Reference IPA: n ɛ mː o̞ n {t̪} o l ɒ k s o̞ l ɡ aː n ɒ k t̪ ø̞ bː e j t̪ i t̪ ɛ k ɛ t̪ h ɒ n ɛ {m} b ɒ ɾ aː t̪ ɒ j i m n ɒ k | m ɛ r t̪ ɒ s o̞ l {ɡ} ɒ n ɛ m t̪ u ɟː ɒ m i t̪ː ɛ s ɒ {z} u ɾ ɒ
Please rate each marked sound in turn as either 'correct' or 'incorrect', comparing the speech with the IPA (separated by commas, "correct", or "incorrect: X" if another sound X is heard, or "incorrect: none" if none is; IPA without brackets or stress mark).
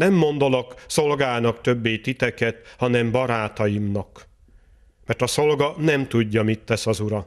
incorrect: d̪, correct, correct, correct